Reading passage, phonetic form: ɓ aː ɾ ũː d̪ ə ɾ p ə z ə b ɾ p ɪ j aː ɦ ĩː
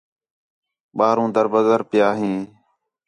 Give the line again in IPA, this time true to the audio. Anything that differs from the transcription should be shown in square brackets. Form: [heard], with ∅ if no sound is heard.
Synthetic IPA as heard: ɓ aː ɾ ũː d̪ ə ɾ [b] ə z ə [∅] ɾ p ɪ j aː ɦ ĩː